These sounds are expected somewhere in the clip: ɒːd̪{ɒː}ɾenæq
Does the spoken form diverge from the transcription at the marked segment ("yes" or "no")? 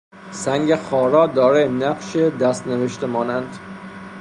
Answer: no